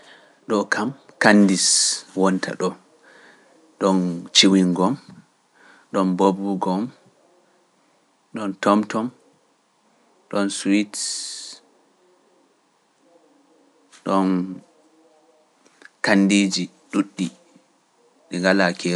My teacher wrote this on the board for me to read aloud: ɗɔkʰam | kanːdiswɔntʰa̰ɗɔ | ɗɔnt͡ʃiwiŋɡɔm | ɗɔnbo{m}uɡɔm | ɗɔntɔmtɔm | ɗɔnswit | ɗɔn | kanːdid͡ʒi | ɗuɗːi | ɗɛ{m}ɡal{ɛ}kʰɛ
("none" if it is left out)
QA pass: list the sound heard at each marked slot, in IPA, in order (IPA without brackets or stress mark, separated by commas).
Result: b, ŋ, a